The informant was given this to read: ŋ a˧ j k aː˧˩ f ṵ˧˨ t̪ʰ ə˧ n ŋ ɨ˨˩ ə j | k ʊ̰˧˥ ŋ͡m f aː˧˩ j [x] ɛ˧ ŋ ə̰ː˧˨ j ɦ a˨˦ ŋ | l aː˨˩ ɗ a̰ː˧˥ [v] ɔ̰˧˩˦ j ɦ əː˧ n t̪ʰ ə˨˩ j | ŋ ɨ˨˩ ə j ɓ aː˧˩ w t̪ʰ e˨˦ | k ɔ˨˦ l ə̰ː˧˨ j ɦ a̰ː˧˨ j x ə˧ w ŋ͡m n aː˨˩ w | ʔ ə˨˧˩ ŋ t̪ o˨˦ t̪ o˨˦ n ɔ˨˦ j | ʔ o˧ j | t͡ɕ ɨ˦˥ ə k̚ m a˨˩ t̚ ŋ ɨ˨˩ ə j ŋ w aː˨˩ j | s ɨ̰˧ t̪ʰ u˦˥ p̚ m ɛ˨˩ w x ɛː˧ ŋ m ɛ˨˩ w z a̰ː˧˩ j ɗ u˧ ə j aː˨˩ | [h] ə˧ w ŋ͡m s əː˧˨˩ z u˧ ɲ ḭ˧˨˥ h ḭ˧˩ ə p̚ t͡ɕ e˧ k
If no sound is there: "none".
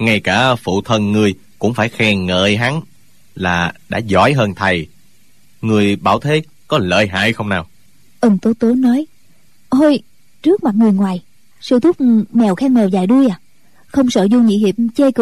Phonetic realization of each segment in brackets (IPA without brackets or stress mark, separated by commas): x, z, x